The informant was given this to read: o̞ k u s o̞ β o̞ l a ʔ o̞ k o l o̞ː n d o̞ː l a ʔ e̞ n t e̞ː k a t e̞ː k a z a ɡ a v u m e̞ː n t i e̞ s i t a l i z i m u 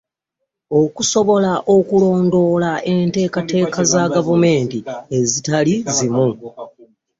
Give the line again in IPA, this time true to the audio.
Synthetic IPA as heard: o̞ k u s o̞ β o̞ l a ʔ o̞ k u l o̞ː n d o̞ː l a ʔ e̞ n t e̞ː k a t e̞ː k a z a ɡ a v u m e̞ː n t i e̞ z i t a l i z i m u